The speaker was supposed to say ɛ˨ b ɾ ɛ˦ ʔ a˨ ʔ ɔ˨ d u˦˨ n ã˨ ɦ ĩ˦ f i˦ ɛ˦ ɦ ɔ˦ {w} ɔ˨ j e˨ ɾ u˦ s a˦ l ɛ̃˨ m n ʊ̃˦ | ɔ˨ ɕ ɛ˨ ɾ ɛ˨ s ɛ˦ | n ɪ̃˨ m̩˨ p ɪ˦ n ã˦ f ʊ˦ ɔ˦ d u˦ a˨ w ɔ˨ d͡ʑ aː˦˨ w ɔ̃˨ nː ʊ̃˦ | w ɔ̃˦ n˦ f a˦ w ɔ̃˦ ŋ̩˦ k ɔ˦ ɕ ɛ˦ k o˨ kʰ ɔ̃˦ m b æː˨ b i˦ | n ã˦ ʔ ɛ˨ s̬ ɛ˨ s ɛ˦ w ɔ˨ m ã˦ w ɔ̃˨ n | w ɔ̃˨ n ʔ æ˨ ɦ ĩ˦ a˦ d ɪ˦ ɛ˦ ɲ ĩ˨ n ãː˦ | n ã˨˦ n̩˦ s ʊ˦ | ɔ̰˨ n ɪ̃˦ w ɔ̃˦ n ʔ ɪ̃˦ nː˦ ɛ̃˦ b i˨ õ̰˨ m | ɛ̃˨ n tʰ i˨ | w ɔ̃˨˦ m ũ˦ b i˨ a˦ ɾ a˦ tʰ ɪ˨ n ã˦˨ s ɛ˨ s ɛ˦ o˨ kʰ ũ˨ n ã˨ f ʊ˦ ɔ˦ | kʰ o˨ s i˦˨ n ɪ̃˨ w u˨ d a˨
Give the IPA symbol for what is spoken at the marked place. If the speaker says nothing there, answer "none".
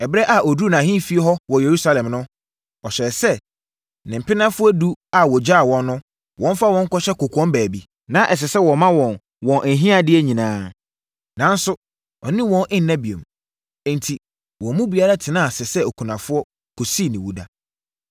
w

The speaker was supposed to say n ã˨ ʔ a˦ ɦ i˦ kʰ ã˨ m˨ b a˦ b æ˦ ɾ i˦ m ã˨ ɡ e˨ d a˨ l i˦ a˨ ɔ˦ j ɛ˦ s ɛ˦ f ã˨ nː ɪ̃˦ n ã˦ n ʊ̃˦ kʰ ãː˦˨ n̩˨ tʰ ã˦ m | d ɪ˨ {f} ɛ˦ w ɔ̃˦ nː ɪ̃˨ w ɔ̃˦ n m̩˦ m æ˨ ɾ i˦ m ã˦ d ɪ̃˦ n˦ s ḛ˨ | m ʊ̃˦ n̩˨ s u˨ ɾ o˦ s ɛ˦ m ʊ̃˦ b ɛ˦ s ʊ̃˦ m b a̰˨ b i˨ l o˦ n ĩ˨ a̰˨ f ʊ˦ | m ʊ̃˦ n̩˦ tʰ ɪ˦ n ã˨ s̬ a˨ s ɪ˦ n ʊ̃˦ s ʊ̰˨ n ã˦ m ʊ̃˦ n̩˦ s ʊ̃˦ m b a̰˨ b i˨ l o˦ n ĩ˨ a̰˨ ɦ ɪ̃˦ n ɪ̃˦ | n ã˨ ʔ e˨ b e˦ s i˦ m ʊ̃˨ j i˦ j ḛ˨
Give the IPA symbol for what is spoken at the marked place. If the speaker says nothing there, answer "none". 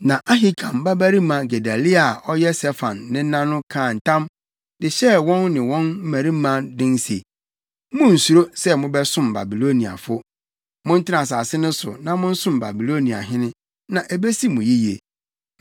ɕ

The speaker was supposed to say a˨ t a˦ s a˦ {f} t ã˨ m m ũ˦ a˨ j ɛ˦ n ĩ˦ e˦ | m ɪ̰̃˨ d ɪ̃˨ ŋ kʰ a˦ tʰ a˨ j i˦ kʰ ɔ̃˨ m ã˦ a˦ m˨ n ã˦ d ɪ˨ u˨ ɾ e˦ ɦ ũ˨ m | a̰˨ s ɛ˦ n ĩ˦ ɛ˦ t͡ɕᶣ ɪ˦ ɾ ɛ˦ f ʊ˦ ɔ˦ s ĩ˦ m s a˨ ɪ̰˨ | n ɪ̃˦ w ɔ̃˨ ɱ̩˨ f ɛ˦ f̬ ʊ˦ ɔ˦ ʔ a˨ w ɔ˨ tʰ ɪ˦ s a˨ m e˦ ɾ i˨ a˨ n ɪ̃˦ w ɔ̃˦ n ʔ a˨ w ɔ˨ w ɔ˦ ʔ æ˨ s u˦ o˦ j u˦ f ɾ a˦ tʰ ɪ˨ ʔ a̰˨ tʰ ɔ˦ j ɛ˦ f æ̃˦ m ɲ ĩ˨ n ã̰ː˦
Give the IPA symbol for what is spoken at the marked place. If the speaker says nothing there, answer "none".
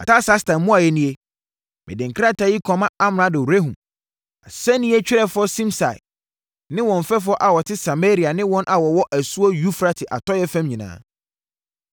s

